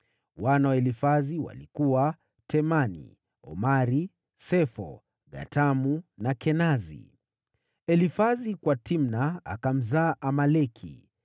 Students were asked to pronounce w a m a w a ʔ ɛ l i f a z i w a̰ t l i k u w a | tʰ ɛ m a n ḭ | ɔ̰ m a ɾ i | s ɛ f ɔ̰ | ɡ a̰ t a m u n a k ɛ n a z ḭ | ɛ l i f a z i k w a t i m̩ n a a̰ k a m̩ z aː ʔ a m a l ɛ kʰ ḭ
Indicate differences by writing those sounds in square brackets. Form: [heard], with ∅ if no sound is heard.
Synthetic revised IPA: w a [n] a w a [∅] ɛ l i f a z i w a̰ [∅] l i k u w a | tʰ ɛ m a n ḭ | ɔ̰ m a ɾ i | s ɛ f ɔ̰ | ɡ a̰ t a m u n a k ɛ n a z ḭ | ɛ l i f a z i k w a t i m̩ n a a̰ k a m̩ z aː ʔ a m a l ɛ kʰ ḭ